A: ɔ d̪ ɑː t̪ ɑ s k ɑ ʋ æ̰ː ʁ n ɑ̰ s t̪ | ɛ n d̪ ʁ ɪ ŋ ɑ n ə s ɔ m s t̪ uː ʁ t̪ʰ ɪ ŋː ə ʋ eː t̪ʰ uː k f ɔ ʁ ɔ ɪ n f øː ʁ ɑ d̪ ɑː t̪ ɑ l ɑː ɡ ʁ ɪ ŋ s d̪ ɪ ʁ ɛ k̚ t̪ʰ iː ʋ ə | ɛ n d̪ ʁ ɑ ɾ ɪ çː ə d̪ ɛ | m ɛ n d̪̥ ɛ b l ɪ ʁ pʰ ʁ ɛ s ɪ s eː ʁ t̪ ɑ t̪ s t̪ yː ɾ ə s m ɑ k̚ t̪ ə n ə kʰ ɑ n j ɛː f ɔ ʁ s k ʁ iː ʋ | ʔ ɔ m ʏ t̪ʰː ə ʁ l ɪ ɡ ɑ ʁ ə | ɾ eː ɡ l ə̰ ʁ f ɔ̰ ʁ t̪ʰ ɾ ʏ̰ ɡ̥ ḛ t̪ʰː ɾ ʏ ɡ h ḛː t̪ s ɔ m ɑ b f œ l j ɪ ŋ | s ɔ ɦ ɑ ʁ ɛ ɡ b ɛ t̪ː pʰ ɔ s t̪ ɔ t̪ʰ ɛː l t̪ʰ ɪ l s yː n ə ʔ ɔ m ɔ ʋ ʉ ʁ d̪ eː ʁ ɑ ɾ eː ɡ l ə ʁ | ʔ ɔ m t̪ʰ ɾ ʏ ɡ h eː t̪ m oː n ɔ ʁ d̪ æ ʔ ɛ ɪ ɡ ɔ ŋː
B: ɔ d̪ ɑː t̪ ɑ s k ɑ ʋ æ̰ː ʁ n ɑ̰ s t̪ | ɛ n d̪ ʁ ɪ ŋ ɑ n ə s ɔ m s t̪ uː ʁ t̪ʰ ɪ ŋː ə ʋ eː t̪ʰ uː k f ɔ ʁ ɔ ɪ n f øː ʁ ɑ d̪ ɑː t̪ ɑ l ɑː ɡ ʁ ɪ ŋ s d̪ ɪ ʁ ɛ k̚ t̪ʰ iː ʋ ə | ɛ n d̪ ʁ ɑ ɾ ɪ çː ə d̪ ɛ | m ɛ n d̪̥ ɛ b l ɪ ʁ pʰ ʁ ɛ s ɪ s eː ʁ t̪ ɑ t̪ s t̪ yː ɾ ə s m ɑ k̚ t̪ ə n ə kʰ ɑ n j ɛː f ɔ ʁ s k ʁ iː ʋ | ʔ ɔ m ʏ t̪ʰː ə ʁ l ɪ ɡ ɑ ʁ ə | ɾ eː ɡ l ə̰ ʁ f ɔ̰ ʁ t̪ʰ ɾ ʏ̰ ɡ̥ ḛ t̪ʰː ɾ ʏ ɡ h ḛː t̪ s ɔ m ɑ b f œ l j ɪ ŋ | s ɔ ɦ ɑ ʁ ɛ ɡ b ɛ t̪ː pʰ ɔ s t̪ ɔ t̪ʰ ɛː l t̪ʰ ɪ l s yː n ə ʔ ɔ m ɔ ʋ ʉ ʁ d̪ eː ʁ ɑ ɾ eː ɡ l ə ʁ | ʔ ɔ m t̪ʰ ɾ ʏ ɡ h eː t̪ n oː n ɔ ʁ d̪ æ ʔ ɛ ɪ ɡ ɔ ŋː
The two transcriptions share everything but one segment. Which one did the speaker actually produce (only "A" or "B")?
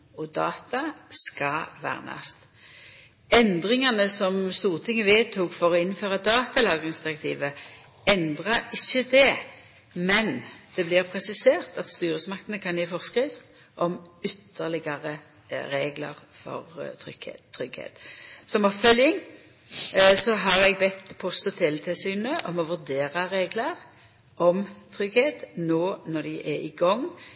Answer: B